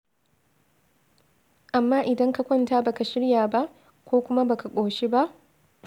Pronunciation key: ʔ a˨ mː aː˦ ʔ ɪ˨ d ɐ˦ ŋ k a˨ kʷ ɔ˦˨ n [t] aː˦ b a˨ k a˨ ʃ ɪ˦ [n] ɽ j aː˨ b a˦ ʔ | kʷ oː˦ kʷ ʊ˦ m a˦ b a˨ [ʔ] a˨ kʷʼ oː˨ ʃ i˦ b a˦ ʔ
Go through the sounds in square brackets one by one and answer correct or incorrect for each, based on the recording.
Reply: correct, incorrect: none, incorrect: k

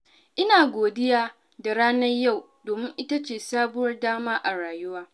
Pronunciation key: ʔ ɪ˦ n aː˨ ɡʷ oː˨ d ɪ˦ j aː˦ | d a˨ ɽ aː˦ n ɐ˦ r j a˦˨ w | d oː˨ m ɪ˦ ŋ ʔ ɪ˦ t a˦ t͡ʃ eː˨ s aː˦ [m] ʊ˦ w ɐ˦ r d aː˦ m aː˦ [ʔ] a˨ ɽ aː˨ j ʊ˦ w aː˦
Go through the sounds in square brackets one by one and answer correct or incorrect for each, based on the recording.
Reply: incorrect: b, correct

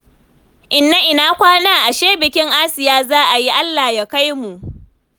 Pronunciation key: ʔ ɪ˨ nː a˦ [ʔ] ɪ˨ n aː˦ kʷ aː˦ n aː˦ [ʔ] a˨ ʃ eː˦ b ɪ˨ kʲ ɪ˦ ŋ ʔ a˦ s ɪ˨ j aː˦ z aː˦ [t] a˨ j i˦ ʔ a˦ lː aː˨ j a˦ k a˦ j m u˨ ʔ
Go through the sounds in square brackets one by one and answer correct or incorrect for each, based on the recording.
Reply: correct, correct, incorrect: ʔ

